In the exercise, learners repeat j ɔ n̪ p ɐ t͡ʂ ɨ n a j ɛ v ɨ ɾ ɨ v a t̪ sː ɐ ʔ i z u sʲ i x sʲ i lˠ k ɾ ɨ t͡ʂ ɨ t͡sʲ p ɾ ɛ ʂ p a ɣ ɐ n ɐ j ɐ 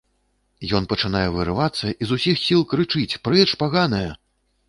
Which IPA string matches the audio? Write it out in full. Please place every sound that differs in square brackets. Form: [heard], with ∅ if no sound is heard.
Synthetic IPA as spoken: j ɔ n̪ p ɐ t͡ʂ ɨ n a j ɛ v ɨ ɾ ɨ v a t̪ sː ɐ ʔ i z u sʲ i x sʲ i lˠ k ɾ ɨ t͡ʂ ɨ t͡sʲ p ɾ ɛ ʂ p a ɣ [a] n ɐ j ɐ